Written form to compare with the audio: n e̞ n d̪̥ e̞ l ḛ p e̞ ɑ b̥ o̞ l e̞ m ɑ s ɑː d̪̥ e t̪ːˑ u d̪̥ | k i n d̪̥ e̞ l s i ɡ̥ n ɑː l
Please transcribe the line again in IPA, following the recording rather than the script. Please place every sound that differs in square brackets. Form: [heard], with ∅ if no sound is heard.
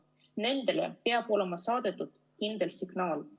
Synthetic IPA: n e̞ n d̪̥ e̞ l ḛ p e̞ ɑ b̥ o̞ l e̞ m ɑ s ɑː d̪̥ e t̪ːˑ u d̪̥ | k i n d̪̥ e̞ l s i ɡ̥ n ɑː l